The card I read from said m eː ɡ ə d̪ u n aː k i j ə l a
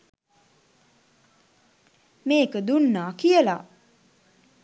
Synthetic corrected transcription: m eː k ə d̪ u nː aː k i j ə l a